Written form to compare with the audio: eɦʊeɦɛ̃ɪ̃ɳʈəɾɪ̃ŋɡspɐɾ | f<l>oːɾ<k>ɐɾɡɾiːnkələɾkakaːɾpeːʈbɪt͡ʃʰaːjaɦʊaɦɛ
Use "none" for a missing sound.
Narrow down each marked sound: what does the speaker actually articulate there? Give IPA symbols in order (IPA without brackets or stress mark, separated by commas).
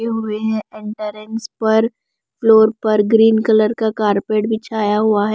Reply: l, p